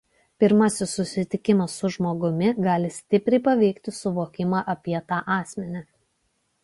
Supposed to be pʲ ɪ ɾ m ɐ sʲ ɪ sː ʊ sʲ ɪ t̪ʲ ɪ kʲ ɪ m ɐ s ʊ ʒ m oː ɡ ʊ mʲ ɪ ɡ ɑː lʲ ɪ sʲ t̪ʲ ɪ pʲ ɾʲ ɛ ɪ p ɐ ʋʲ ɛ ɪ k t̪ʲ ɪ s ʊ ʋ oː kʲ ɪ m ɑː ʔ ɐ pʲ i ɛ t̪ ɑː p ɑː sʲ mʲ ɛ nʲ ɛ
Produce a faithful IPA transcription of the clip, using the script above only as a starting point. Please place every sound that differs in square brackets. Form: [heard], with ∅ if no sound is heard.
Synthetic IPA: pʲ ɪ ɾ m ɐ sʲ ɪ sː ʊ sʲ ɪ t̪ʲ ɪ kʲ ɪ m ɐ s ʊ ʒ m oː ɡ ʊ mʲ ɪ ɡ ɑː lʲ ɪ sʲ t̪ʲ ɪ pʲ ɾʲ ɛ ɪ p ɐ ʋʲ ɛ ɪ k t̪ʲ ɪ s ʊ ʋ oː kʲ ɪ m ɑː ʔ ɐ pʲ i ɛ t̪ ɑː [ʔ] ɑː sʲ mʲ ɛ nʲ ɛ